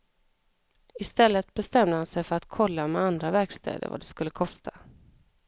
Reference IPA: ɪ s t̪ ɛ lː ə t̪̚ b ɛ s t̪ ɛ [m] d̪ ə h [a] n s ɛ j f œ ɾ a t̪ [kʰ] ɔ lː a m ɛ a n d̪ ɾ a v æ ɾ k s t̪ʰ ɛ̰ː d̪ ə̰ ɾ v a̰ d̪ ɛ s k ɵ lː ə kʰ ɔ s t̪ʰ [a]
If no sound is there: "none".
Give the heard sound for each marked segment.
m, a, kʰ, a

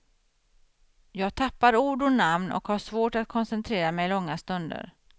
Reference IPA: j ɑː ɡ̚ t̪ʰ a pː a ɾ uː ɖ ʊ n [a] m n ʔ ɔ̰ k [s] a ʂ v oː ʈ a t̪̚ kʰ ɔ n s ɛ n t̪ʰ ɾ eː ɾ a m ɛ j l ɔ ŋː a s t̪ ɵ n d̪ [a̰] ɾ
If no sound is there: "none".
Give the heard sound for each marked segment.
a, h, ə̰

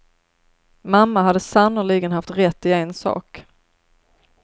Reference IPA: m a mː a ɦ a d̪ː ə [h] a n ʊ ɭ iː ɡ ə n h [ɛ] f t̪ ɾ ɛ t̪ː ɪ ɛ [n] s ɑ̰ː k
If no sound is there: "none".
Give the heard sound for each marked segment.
s, a, n

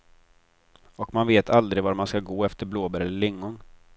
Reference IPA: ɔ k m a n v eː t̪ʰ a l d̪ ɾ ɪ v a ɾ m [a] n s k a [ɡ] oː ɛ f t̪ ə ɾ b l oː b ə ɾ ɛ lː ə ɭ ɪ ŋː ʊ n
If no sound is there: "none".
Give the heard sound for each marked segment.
a, ɡ

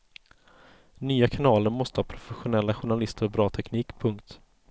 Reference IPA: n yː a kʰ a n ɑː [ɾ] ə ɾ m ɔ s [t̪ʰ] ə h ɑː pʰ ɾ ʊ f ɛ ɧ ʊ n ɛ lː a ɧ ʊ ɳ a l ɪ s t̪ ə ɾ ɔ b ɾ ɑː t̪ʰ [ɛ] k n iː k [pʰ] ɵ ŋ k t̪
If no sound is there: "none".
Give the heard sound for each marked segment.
l, t̪, ɛ, pʰ

